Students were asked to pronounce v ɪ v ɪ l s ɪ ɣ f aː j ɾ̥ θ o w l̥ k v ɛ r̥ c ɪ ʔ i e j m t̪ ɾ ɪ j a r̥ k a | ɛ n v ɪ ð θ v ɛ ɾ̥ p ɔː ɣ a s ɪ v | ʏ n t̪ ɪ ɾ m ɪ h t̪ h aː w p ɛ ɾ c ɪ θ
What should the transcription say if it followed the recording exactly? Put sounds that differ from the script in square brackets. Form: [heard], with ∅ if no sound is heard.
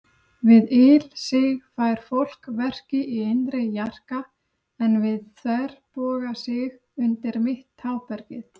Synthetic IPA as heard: v ɪ [ð] ɪ l s ɪ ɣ f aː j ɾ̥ [f] o w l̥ k v ɛ r̥ c ɪ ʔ i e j [n] t̪ ɾ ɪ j a r̥ k a | ɛ n v ɪ ð θ v ɛ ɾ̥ p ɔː ɣ a s ɪ [ɣ] | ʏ n t̪ ɪ ɾ m ɪ h t̪ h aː w p ɛ ɾ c ɪ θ

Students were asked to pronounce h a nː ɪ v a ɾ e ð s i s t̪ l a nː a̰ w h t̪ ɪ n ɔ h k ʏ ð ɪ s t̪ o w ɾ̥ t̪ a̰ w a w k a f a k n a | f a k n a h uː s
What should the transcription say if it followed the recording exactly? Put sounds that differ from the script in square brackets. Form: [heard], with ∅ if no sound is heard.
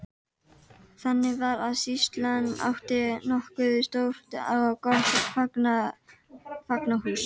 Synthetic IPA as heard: [θ] a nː ɪ v a ɾ [a] ð s i s t̪ l a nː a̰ w h t̪ ɪ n ɔ h k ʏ ð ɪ s t̪ o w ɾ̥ t̪ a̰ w a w k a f a k n a | f a k n a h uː s

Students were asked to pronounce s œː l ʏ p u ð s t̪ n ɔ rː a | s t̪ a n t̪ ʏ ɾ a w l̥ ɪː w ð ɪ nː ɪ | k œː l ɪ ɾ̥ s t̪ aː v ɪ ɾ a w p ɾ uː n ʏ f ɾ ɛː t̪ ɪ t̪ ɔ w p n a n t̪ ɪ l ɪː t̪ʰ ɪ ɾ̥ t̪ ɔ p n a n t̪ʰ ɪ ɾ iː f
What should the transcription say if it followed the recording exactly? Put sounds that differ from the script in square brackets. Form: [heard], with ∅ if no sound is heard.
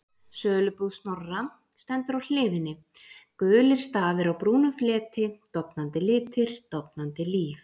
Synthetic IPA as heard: s œː l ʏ p u ð s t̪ n ɔ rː a | s t̪ [ɛ] n t̪ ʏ ɾ a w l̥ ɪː [∅] ð ɪ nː ɪ | k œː l ɪ ɾ̥ s t̪ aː v ɪ ɾ a w p ɾ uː n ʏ f [l] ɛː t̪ ɪ t̪ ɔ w p n a n t̪ ɪ l ɪː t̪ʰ ɪ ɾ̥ t̪ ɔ p n a n [t̪] ɪ [l] iː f

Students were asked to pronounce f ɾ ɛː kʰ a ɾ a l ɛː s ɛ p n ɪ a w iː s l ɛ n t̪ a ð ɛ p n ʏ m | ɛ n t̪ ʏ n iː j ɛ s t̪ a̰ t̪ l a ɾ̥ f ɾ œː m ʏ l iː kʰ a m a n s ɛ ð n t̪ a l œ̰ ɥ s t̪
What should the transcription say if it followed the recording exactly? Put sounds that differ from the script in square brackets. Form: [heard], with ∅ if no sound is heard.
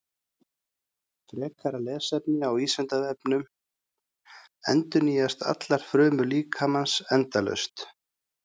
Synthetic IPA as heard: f ɾ ɛː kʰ a ɾ a l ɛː s ɛ p n ɪ a w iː s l ɛ n t̪ a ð ɛ p n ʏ m | ɛ n t̪ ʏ n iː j [a] s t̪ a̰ t̪ l a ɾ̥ f ɾ œː m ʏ l iː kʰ a m a n s ɛ [∅] n t̪ a l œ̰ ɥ s t̪

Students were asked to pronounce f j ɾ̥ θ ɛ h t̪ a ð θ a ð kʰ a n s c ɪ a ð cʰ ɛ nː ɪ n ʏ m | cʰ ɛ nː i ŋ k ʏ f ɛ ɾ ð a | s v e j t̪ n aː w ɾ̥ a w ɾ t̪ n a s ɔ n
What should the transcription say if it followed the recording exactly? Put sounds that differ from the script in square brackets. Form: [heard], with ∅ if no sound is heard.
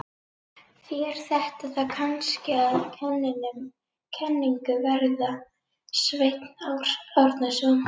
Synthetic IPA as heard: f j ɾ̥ θ ɛ h t̪ a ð θ a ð kʰ a n s c ɪ a ð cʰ ɛ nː ɪ n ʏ m | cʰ ɛ nː i ŋ k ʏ [v] ɛ ɾ ð a | s v e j t̪ n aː w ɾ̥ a w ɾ t̪ n a s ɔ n

